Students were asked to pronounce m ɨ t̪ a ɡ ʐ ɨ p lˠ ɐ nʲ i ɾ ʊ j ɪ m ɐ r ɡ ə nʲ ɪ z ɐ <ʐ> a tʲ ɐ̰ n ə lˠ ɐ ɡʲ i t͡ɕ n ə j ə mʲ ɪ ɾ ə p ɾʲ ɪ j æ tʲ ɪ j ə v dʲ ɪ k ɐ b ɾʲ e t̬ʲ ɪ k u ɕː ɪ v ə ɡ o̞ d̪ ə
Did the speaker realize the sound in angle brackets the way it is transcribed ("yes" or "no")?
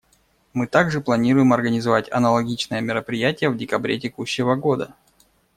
no